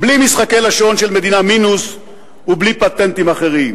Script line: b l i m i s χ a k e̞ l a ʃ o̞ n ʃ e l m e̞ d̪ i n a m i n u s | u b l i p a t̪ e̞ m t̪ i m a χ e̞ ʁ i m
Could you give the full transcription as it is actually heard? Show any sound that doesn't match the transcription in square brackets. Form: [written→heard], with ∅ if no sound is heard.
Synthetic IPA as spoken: b l i m i s χ a k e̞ l a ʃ o̞ n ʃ e l m e̞ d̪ i n a m i n u s | u b l i p a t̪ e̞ [m→n] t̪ i m a χ e̞ ʁ i m